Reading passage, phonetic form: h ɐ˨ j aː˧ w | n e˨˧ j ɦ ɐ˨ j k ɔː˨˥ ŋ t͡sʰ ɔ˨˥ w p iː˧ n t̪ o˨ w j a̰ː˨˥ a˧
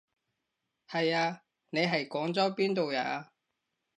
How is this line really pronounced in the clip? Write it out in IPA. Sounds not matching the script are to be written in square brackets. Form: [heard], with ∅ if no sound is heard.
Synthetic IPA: h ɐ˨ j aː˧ [∅] | n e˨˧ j ɦ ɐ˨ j k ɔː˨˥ ŋ [t͡s] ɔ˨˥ w p [iː˥] n t̪ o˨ w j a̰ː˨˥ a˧